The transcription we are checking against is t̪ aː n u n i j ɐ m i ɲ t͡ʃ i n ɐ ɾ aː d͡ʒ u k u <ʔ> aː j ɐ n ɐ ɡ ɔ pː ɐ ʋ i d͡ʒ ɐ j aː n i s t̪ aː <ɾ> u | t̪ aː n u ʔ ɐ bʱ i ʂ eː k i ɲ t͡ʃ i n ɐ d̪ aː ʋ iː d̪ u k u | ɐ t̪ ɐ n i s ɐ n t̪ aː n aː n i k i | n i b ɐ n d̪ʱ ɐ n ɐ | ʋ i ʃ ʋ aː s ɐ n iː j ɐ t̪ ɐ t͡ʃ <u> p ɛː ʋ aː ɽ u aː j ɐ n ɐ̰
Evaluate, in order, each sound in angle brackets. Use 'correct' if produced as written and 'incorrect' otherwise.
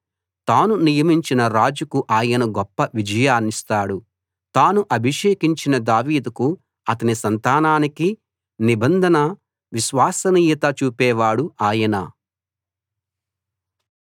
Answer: correct, incorrect: ɽ, incorrect: uː

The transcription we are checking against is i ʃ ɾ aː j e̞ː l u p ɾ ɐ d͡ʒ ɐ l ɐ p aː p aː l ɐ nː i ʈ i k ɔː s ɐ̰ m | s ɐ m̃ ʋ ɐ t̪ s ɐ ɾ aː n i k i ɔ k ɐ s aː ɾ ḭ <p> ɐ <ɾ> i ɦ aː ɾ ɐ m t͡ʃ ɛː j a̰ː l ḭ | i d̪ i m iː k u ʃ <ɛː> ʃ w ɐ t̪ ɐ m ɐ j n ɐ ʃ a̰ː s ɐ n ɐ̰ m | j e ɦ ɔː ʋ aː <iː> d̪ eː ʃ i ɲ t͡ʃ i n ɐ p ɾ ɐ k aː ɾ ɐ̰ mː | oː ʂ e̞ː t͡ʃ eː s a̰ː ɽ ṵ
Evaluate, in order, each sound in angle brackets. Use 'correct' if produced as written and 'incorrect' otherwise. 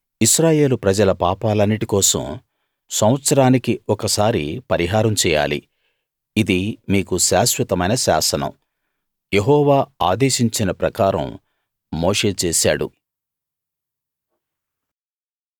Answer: correct, correct, incorrect: aː, incorrect: aː

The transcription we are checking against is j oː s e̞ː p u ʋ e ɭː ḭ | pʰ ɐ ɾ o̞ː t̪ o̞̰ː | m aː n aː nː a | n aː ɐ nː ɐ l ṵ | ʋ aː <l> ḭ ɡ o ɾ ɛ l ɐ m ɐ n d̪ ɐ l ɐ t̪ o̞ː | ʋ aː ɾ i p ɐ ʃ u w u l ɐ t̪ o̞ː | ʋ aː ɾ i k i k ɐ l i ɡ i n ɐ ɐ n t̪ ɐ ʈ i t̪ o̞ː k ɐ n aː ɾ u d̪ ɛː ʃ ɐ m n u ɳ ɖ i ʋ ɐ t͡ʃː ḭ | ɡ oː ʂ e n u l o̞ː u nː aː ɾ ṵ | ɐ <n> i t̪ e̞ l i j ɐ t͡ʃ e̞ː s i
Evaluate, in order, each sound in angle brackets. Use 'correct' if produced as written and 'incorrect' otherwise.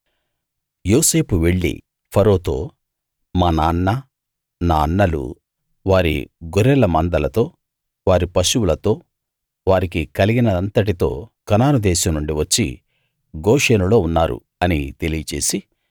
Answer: incorrect: ɾ, correct

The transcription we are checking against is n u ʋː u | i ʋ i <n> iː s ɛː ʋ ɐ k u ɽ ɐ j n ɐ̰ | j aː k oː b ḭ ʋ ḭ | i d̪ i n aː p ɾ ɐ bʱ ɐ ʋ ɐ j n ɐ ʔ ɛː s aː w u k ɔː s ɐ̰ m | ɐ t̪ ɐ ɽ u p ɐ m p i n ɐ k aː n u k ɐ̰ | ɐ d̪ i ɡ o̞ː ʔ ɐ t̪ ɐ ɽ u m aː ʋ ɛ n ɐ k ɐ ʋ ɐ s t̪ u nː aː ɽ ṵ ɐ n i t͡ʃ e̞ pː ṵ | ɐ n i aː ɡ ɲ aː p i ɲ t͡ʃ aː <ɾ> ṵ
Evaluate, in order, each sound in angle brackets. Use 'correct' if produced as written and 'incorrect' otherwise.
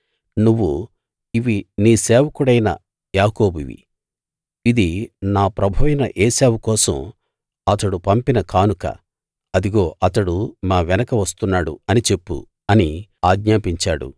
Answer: correct, incorrect: ɽ

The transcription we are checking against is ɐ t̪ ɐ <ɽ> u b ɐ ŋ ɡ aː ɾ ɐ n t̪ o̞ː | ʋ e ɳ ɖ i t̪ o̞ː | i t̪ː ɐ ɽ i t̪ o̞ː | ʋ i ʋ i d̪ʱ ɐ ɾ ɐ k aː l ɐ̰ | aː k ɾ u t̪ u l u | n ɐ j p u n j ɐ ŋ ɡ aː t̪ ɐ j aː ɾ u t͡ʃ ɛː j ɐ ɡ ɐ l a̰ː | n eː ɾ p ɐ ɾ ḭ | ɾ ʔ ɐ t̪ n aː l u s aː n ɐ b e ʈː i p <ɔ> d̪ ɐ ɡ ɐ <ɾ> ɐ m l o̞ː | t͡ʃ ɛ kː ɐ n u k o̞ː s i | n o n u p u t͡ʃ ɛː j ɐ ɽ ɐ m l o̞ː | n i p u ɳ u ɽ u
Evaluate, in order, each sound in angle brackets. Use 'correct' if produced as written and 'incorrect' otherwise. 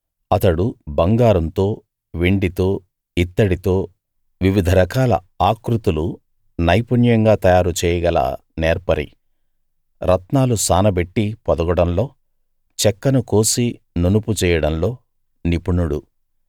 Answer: correct, correct, incorrect: ɽ

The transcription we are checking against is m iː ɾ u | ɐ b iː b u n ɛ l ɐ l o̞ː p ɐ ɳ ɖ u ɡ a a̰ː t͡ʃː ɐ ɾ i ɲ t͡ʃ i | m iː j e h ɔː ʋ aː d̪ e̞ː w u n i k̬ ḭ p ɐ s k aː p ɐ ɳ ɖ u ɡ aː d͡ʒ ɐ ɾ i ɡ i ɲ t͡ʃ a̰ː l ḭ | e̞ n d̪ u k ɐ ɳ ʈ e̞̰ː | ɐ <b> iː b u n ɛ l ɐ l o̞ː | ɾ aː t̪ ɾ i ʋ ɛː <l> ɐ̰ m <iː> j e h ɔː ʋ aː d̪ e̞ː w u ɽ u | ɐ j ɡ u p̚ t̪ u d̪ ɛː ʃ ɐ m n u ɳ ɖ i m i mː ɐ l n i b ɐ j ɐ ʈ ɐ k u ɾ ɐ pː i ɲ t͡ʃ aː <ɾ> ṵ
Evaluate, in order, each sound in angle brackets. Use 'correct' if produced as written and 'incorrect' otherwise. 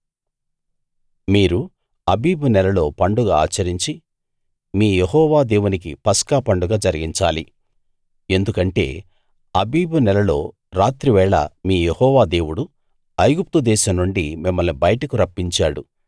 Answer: correct, incorrect: ɭ, correct, incorrect: ɽ

